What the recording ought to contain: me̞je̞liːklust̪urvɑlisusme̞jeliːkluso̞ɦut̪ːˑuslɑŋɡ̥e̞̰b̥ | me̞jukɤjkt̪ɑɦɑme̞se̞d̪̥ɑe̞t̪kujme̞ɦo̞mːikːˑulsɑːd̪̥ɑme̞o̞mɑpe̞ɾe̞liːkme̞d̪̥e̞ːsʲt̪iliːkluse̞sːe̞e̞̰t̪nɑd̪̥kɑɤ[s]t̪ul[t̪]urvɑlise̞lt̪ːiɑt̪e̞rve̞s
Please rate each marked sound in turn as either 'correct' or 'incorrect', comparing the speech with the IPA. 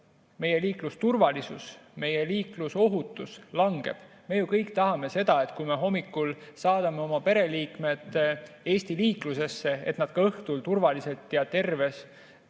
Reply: incorrect: h, correct

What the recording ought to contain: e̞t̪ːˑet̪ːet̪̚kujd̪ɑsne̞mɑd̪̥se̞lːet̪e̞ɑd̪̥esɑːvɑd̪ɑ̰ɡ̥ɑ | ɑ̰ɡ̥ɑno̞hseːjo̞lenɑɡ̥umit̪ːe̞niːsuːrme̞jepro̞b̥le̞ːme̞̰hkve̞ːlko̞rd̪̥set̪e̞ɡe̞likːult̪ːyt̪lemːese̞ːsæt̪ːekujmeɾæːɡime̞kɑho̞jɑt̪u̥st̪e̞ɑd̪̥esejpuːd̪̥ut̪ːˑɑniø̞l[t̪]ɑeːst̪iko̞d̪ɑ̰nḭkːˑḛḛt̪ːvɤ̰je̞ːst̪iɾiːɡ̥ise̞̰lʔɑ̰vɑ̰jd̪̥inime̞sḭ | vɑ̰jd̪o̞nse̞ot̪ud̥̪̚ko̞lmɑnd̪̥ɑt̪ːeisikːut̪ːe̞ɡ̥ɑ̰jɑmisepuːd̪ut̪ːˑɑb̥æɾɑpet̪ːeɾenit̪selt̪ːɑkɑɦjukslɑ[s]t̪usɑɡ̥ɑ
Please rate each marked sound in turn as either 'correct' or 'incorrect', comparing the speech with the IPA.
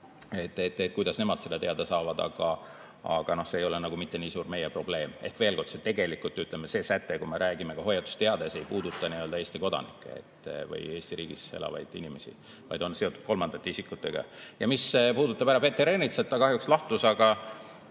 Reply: incorrect: d̪, incorrect: h

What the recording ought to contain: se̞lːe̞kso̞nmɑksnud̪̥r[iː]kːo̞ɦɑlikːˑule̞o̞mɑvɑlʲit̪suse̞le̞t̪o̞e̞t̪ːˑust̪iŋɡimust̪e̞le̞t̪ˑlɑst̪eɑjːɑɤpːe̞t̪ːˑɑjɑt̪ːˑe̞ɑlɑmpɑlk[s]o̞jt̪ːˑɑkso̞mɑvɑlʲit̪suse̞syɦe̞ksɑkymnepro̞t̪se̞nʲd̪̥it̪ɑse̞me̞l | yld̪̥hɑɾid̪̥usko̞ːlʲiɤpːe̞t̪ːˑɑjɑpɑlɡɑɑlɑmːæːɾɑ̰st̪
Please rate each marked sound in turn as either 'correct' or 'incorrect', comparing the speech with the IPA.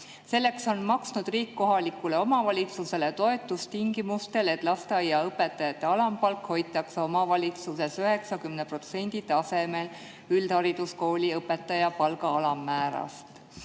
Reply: correct, incorrect: h

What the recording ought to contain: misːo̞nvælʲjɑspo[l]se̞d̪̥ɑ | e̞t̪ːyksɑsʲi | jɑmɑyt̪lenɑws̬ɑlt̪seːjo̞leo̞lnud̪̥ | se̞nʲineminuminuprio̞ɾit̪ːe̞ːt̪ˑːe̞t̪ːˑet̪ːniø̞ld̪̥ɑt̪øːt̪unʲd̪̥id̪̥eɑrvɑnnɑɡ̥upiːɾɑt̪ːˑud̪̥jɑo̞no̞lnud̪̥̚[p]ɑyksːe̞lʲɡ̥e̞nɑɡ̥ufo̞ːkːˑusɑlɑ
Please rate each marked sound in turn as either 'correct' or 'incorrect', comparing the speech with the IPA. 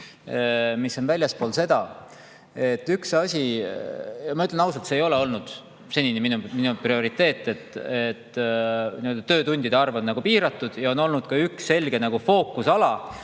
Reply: correct, incorrect: k

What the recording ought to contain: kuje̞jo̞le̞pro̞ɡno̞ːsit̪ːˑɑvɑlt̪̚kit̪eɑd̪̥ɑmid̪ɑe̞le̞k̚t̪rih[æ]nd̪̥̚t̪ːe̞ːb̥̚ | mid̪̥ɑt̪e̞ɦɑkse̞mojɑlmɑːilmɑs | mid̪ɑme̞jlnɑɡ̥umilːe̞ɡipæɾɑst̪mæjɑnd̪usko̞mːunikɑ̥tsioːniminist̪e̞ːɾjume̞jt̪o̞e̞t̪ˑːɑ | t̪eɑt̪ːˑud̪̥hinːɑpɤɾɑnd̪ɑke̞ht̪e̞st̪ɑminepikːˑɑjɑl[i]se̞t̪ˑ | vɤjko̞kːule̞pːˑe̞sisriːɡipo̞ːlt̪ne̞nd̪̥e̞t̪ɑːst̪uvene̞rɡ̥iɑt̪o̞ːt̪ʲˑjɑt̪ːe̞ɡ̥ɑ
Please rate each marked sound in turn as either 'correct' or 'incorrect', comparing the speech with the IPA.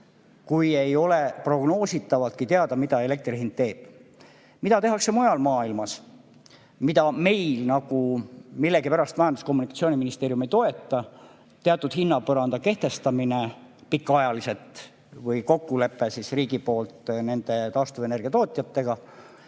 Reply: incorrect: i, correct

